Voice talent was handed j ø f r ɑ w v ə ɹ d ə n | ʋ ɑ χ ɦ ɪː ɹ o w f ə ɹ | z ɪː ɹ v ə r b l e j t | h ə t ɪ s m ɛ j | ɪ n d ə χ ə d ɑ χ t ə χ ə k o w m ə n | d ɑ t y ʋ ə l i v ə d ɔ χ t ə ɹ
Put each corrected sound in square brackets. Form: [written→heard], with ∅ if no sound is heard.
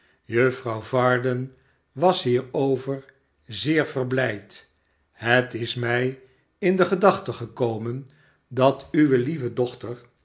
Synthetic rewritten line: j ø f r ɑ w v [ə→ɑ] ɹ d ə n | ʋ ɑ [χ→s] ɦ [ɪː→iː] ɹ o w [f→v] ə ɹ | z ɪː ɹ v ə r b l [e→ɛ] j t | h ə t ɪ s m ɛ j | ɪ n d ə χ ə d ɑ χ t ə χ ə k o w m ə n | d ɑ t y ʋ ə l i v ə d ɔ χ t ə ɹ